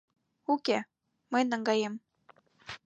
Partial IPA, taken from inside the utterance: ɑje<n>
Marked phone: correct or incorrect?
incorrect